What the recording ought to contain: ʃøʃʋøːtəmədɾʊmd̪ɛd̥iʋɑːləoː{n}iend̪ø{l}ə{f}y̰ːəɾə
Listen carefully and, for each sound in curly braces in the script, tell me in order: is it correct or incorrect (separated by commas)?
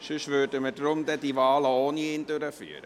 correct, incorrect, correct